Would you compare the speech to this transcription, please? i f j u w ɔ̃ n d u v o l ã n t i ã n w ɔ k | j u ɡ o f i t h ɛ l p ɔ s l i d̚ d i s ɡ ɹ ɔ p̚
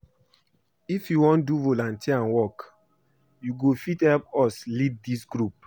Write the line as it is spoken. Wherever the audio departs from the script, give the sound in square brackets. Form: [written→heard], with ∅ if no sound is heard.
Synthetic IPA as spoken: i f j u w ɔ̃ n d u v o l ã n t i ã n w ɔ k | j u ɡ o f i t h ɛ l p ɔ s l i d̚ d i s ɡ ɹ [ɔ→u] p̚